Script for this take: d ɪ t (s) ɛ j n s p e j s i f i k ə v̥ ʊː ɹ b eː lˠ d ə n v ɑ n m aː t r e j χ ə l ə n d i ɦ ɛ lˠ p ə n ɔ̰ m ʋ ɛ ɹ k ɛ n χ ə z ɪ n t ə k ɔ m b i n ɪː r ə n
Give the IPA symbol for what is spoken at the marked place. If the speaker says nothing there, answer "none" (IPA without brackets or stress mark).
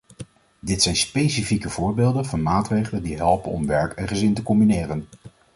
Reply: s